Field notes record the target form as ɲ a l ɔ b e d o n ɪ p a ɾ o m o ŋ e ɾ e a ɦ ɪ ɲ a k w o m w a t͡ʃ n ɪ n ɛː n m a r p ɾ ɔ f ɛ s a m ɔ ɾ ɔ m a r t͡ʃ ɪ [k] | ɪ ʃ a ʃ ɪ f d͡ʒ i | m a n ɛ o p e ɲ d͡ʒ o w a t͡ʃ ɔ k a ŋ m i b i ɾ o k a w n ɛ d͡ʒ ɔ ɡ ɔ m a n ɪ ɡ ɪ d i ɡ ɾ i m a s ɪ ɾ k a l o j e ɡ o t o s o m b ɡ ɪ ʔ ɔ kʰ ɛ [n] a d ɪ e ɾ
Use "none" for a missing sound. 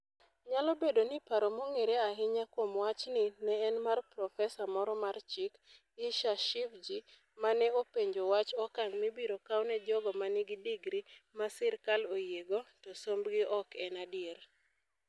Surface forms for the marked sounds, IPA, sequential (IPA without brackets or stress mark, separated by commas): k, n